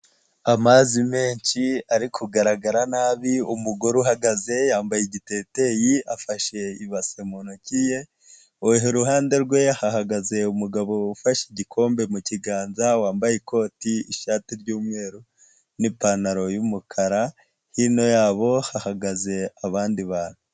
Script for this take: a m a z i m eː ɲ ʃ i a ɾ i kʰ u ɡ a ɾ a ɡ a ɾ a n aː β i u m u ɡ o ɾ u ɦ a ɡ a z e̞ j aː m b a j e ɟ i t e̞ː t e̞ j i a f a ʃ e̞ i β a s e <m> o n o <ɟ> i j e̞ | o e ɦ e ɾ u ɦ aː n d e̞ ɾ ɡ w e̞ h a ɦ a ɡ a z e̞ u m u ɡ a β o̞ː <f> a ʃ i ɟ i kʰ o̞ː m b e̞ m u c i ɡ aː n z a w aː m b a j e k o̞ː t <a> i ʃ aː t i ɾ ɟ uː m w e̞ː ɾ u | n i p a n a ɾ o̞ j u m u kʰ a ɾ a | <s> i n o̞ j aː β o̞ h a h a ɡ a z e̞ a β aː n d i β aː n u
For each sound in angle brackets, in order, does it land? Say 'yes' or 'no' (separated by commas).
yes, no, yes, no, no